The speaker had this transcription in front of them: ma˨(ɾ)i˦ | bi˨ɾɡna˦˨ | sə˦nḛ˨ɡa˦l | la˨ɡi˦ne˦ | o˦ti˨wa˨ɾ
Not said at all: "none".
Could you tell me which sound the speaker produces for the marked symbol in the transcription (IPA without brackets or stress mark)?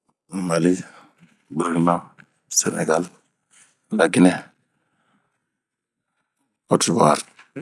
l